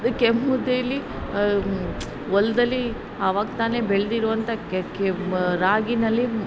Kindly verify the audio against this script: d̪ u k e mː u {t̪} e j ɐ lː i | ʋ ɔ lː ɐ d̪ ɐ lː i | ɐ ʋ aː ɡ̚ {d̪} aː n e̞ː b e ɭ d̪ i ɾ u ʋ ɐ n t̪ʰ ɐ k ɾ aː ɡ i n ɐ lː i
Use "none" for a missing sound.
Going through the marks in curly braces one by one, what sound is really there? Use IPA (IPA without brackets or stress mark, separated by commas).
d̪, t̪